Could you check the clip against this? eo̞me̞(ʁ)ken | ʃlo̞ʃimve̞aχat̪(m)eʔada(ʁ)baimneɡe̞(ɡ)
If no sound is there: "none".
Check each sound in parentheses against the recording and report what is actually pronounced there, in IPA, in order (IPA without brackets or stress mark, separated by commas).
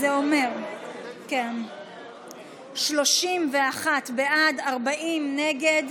ʁ, b, ʁ, d